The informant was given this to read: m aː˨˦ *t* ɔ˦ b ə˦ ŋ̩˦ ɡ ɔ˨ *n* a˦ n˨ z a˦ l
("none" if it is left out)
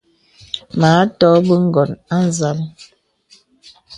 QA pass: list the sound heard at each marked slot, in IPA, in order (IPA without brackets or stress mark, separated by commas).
t, n